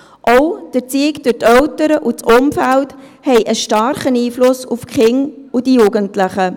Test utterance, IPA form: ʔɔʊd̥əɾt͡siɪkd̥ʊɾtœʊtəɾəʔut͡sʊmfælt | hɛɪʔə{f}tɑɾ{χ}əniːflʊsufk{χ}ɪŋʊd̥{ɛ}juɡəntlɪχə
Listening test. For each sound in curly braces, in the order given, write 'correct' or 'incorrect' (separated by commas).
incorrect, correct, correct, incorrect